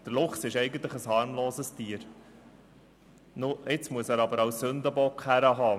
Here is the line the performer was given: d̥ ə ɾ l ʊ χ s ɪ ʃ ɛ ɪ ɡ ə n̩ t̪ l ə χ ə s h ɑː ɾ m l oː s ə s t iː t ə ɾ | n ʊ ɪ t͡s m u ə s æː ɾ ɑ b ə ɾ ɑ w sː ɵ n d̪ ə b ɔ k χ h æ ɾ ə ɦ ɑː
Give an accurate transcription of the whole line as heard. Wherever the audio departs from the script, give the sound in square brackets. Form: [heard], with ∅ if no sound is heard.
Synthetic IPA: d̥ ə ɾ l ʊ χ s ɪ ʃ ɛ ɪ ɡ ə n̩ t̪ l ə χ ə s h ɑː ɾ m l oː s ə s t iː [∅] ə ɾ | n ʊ ɪ t͡s m u ə s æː ɾ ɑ b ə ɾ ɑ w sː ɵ n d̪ ə b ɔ k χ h æ ɾ ə ɦ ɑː